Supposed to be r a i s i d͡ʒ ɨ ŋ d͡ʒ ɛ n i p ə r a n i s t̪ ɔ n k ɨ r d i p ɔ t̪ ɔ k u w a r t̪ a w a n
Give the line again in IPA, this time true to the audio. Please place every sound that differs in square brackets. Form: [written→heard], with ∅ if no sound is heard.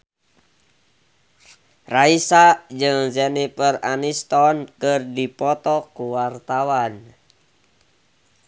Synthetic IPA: r a i s [i→a] d͡ʒ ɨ ŋ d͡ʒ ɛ n i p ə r a n i s t̪ ɔ n k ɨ r d i p ɔ t̪ ɔ k u w a r t̪ a w a n